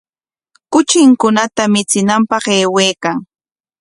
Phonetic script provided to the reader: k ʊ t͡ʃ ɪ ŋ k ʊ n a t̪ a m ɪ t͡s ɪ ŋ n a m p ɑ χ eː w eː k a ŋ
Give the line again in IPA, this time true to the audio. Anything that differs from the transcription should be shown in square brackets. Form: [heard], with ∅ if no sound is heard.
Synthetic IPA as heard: k ʊ t͡ʃ ɪ ŋ k ʊ n a t̪ a m ɪ t͡s ɪ [∅] n a m p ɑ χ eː w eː k a ŋ